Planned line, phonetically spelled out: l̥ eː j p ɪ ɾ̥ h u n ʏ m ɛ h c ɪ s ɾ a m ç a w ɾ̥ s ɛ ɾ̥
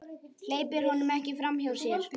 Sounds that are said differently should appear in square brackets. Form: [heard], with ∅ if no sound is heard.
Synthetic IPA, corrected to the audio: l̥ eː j p ɪ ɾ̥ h [ɔ] n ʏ m ɛ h c ɪ [f] ɾ a m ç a w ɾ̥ s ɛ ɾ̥

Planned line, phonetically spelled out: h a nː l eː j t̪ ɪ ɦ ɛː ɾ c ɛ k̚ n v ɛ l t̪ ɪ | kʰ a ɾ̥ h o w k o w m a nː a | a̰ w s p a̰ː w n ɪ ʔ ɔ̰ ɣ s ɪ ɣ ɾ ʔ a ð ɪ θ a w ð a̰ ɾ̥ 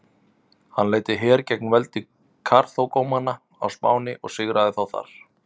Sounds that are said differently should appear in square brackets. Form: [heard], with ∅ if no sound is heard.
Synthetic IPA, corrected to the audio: h a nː l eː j t̪ ɪ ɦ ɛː ɾ c ɛ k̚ n v ɛ l t̪ ɪ | kʰ a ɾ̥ [θ] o w k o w m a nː a | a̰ w s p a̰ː w n ɪ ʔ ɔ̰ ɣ s ɪ ɣ ɾ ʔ a ð ɪ θ a w [θ] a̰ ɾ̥

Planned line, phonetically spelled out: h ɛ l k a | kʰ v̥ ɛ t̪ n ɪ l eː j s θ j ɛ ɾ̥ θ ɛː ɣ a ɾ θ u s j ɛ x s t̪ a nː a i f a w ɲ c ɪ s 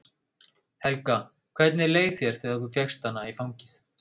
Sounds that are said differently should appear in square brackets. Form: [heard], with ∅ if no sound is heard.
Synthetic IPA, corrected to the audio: h ɛ l k a | kʰ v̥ ɛ t̪ n ɪ l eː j [θ] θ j ɛ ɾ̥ θ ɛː ɣ a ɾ θ u [f] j ɛ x s t̪ a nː a i f a w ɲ c ɪ [θ]

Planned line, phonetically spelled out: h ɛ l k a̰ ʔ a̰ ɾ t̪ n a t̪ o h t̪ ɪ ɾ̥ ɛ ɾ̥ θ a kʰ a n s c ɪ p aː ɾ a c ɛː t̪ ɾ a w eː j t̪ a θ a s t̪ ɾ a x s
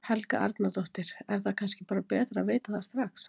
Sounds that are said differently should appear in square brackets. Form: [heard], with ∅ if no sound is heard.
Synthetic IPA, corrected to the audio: h ɛ l k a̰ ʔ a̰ ɾ t̪ n a t̪ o h t̪ ɪ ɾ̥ ɛ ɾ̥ θ a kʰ a n s c ɪ p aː ɾ a [p] ɛː t̪ ɾ a [v] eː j t̪ a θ a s t̪ ɾ a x s

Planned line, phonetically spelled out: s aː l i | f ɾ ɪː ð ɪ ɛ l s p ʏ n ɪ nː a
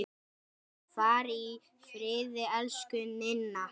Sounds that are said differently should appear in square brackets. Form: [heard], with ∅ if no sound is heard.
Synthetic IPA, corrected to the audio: [f] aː [ɾ] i | f ɾ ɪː ð ɪ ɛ l s [k] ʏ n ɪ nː a

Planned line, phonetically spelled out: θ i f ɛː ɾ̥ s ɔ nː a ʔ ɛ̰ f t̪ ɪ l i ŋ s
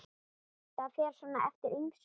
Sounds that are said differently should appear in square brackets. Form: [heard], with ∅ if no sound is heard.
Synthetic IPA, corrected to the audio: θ [a] f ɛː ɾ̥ s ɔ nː a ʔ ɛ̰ f t̪ ɪ [ɾ] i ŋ s

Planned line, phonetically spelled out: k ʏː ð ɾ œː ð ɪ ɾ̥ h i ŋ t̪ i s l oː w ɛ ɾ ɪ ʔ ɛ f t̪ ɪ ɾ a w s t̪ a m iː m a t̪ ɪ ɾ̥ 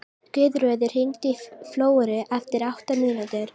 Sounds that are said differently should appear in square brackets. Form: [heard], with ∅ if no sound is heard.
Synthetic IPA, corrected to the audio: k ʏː ð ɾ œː ð ɪ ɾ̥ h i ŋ t̪ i [f] l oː w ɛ ɾ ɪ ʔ ɛ f t̪ ɪ ɾ a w [h] t̪ a m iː [n] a t̪ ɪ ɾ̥

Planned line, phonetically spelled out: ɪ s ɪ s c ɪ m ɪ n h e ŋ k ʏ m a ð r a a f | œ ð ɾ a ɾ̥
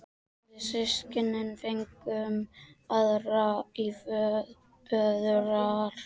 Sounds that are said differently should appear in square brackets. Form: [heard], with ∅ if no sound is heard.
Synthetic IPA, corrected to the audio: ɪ s ɪ s c ɪ [n] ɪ n [f] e ŋ k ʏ m a ð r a [i] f | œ ð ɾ a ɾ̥

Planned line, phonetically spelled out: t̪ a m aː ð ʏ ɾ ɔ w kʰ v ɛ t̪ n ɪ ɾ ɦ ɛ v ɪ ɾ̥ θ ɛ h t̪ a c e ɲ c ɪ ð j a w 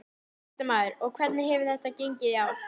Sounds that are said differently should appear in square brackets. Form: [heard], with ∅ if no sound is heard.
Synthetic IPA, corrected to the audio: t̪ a m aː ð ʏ ɾ ɔ [ɣ] kʰ v ɛ t̪ n ɪ ɾ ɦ ɛ v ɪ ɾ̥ θ ɛ h t̪ a c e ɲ c ɪ ð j a w

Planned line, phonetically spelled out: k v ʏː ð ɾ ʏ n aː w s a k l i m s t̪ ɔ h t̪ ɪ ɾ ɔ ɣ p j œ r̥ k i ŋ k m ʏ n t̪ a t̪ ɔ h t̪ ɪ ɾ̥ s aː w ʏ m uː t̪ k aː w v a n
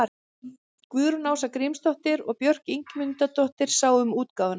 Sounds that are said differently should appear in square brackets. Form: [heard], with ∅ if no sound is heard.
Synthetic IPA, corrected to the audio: k v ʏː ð ɾ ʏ n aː w s a k [ɾ] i m s t̪ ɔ h t̪ ɪ ɾ ɔ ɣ p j œ r̥ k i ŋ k m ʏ n t̪ a t̪ ɔ h t̪ ɪ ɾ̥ s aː w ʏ m uː t̪ k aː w v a n

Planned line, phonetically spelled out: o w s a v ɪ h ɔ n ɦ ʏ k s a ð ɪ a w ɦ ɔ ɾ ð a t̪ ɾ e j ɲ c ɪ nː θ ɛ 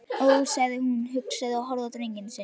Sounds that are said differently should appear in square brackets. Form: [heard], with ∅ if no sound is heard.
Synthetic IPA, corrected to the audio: o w s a [ð] ɪ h [u] n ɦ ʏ k s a ð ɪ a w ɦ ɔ ɾ ð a t̪ ɾ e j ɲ c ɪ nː [s] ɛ

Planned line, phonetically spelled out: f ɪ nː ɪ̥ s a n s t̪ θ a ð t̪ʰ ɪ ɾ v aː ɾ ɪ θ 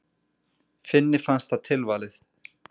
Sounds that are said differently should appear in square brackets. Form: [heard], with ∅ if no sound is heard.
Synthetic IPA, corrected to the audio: f ɪ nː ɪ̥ [f] a n s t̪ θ a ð t̪ʰ ɪ [l] v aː [l] ɪ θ

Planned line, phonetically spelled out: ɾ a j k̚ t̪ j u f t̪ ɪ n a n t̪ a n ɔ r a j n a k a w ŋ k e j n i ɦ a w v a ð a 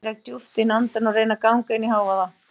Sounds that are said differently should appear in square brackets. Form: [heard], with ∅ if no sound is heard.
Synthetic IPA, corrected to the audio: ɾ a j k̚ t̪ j u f t̪ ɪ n a n t̪ a n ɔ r [e] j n a k a w ŋ k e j n i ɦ a w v a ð a

